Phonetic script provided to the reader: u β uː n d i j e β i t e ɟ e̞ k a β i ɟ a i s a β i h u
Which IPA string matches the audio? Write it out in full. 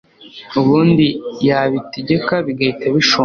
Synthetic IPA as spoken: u β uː n d i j a β i t e ɟ e̞ k a β i ɡ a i t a β i ʃ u